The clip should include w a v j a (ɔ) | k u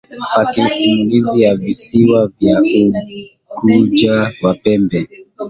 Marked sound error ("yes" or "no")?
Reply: yes